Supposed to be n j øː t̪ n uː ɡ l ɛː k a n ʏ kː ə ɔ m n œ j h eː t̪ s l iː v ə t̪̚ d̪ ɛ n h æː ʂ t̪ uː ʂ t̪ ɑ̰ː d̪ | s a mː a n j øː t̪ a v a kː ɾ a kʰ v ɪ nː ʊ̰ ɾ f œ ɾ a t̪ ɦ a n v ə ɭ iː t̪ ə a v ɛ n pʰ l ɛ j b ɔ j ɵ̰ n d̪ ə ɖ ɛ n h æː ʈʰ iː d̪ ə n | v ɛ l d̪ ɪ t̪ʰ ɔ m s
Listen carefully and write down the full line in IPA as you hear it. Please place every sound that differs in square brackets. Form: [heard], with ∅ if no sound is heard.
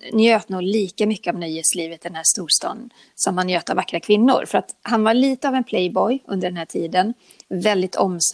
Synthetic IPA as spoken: n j øː t̪ n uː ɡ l [iː] k a [m] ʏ kː ə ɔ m n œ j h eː t̪ s l iː v ə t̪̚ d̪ ɛ n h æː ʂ t̪ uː ʂ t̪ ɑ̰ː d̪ | s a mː a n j øː t̪ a v a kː ɾ a kʰ v ɪ nː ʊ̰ ɾ f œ ɾ a t̪ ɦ a n v [a] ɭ iː t̪ ə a v ɛ n pʰ l ɛ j b ɔ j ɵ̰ n d̪ ə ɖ ɛ n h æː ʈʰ iː d̪ ə n | v ɛ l d̪ ɪ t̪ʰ ɔ m s